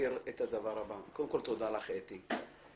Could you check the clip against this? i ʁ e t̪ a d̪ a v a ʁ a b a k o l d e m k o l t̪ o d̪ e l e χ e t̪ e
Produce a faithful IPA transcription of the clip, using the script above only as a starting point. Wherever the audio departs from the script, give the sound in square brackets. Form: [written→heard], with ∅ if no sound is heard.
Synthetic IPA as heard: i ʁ e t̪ a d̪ a v a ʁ a b a k o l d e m k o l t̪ o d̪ [e→a] l [e→a] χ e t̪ [e→i]